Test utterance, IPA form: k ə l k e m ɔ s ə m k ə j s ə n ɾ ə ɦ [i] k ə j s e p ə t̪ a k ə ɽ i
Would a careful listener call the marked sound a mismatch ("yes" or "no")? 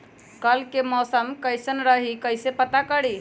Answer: no